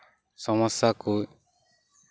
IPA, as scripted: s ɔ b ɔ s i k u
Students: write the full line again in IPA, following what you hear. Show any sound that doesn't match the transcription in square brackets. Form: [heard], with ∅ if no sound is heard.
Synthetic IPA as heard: s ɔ [m] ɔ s [a] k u